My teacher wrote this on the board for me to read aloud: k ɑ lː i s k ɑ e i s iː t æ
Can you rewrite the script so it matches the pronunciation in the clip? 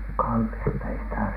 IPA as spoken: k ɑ lː i s t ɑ e i s i t æ